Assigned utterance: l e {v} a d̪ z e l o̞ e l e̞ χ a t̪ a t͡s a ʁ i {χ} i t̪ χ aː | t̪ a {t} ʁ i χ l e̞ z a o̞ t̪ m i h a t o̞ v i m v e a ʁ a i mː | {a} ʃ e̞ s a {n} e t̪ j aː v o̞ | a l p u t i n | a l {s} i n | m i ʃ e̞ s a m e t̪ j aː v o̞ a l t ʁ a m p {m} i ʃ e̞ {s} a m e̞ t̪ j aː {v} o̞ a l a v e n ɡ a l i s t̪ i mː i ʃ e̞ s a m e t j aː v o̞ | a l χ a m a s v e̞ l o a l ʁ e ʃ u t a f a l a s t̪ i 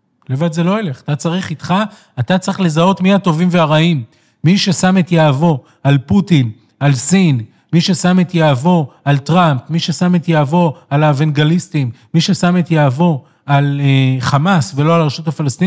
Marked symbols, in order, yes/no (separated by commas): yes, yes, no, no, no, yes, yes, yes, yes